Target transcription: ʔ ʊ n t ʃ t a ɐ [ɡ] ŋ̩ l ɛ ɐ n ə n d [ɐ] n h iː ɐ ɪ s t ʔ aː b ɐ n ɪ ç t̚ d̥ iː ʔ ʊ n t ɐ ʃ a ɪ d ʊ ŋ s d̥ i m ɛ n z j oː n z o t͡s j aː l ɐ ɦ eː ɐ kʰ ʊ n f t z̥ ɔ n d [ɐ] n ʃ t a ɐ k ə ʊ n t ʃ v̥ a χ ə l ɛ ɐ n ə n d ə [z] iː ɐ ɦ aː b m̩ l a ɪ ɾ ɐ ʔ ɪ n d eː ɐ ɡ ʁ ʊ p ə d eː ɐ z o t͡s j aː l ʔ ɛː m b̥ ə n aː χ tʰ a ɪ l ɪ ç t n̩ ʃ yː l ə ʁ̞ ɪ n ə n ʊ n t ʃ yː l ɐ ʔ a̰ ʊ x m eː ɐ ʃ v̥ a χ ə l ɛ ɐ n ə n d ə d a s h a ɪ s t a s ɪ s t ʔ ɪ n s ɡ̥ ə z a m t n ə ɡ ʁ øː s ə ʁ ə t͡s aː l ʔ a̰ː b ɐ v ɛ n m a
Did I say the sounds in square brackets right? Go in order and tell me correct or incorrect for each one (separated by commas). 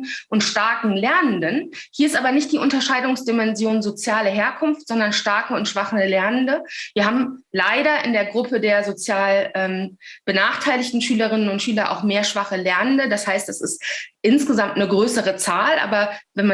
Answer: incorrect, incorrect, correct, incorrect